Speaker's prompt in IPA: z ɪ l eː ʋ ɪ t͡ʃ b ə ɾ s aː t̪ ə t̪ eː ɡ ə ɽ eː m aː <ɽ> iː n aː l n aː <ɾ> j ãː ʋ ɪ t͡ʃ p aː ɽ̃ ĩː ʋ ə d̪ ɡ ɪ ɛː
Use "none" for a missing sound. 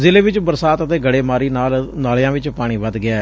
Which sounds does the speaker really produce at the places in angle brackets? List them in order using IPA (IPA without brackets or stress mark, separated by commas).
ɾ, l